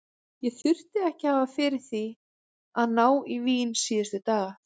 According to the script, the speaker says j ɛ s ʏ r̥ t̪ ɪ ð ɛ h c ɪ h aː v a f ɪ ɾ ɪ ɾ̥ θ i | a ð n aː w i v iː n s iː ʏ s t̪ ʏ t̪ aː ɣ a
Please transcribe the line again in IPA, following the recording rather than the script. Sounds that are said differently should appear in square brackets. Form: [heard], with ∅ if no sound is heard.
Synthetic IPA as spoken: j ɛ [θ] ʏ r̥ t̪ ɪ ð ɛ h c ɪ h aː v a f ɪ ɾ ɪ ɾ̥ θ i | a ð n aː w i v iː n s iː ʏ s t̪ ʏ t̪ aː ɣ a